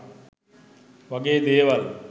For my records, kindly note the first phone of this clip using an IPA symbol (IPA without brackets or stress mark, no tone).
ʋ